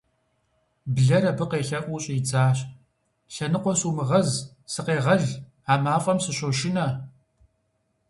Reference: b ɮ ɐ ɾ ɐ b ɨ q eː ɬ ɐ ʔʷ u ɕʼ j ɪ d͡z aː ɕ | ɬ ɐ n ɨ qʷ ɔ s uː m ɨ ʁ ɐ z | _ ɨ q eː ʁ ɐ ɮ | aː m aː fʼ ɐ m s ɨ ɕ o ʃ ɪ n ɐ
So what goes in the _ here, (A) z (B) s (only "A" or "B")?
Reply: B